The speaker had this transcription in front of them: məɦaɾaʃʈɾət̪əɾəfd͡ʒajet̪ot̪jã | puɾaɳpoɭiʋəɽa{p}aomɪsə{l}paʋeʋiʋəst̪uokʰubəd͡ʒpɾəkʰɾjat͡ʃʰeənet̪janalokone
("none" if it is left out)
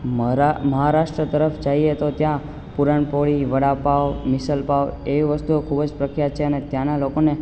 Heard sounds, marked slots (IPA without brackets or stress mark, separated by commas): p, l